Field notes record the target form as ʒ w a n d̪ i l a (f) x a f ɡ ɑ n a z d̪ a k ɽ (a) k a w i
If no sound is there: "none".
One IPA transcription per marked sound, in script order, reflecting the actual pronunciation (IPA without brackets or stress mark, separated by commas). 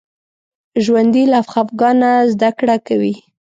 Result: f, a